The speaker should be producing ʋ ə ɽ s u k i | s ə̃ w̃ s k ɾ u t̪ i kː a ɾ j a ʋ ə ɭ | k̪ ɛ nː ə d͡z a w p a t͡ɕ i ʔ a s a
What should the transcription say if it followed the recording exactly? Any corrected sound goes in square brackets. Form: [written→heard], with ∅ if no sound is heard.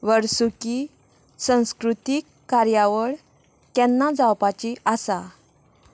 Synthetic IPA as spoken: ʋ ə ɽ s u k i | s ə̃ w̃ s k ɾ u t̪ i kː a ɾ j a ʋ ə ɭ | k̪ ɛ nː [ə→a] d͡z a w p a t͡ɕ i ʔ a s a